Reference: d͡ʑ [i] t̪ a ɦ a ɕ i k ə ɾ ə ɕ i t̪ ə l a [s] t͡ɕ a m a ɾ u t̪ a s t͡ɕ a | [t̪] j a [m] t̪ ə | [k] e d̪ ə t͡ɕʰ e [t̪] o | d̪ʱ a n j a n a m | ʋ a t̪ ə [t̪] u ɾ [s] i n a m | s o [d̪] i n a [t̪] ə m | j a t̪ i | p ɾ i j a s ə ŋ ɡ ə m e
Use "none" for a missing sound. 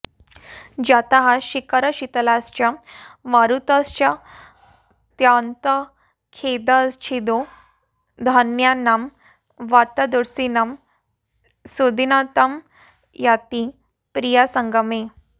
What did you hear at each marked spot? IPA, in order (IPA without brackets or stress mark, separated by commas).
a, s, t̪, n, kʰ, d̪, d̪, s, d̪, t̪